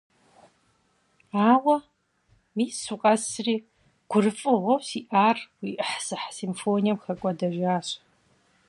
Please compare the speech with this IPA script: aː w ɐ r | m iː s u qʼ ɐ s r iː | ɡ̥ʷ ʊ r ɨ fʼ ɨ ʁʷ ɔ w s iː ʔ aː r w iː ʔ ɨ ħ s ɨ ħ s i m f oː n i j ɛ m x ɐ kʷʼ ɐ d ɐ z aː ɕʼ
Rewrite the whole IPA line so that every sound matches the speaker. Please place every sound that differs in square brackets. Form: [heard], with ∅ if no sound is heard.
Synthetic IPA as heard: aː w ɐ [∅] | m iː s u qʼ ɐ s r iː | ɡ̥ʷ ʊ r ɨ fʼ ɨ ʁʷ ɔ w s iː ʔ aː r w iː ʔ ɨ ħ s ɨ ħ s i m f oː n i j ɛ m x ɐ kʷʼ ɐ d ɐ [ʒ] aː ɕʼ